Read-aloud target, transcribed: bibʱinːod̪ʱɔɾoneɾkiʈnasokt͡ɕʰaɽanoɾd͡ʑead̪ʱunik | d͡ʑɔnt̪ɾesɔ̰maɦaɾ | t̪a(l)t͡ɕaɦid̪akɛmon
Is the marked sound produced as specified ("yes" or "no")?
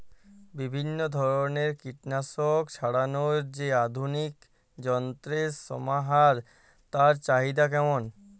no